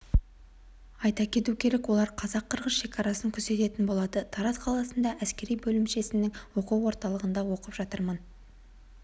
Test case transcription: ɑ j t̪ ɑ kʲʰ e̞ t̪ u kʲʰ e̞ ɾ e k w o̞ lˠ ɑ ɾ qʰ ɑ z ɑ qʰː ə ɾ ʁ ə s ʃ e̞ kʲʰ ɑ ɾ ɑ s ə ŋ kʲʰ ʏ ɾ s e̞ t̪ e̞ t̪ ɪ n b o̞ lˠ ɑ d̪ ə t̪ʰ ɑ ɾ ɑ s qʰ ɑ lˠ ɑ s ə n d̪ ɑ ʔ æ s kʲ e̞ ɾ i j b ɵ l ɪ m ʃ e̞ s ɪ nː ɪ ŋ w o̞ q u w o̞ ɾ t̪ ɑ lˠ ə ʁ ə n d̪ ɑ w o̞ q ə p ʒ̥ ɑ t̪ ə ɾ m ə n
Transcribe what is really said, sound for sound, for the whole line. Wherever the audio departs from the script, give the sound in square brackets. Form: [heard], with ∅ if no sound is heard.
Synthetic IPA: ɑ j t̪ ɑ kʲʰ e̞ t̪ u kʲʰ e̞ ɾ e k w o̞ lˠ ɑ ɾ qʰ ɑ z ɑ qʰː ə ɾ ʁ ə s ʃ e̞ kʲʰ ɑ ɾ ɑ s ə ŋ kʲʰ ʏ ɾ s e̞ t̪ e̞ t̪ ɪ n b o̞ lˠ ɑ d̪ ə t̪ʰ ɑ ɾ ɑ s qʰ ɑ lˠ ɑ s ə n d̪ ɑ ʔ æ s kʲ e̞ ɾ i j b ɵ l ɪ m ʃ e̞ s ɪ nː ɪ ŋ w o̞ q u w o̞ ɾ t̪ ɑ lˠ ə ʁ ə n d̪ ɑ w o̞ q ə p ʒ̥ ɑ t̪ ə ɾ m ə n